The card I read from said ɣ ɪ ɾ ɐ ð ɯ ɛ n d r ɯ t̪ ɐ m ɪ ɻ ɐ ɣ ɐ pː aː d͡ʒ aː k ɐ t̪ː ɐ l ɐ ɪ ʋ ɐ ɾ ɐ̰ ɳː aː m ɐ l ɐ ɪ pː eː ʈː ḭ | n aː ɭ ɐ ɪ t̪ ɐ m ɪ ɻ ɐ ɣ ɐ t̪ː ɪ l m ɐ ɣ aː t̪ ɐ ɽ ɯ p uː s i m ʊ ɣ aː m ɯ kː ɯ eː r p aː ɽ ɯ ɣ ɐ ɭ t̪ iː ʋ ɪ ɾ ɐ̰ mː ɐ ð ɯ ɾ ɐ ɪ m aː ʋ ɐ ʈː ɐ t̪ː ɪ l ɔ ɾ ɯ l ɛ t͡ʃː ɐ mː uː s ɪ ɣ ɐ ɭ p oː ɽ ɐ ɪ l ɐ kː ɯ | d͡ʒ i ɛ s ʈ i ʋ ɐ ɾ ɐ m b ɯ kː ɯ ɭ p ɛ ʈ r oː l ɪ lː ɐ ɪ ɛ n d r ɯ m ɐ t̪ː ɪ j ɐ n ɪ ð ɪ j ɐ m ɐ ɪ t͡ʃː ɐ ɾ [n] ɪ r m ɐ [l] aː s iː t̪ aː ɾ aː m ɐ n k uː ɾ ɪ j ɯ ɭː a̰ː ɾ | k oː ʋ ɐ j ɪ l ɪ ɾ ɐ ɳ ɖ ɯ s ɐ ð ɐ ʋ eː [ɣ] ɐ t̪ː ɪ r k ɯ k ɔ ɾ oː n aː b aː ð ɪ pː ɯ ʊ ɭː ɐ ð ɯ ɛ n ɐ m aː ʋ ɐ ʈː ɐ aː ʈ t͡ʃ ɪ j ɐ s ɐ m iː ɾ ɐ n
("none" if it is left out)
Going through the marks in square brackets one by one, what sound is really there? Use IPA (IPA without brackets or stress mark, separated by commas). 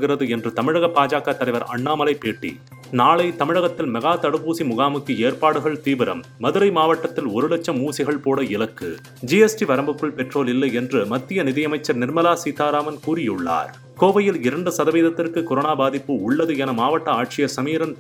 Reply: n, l, ð